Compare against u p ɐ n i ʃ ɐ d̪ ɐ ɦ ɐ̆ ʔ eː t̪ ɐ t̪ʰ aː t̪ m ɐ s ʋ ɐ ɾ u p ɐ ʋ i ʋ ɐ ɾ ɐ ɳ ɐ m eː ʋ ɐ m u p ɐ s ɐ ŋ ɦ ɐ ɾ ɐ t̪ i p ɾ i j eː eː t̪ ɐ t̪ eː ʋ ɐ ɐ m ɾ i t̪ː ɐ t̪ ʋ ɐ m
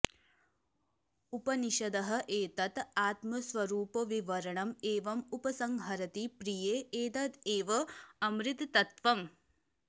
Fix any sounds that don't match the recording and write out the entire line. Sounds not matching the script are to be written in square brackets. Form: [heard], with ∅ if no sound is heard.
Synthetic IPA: u p ɐ n i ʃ ɐ d̪ ɐ ɦ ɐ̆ ʔ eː t̪ ɐ [t̪] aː t̪ m ɐ s ʋ ɐ ɾ [uː] p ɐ ʋ i ʋ ɐ ɾ ɐ ɳ ɐ m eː ʋ ɐ m u p ɐ s ɐ ŋ ɦ ɐ ɾ ɐ t̪ i p ɾ i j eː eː t̪ ɐ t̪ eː ʋ ɐ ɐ m ɾ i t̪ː ɐ t̪ ʋ ɐ m